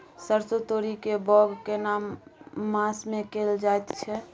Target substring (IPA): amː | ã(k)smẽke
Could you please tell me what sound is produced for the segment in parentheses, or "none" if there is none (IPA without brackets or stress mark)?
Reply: none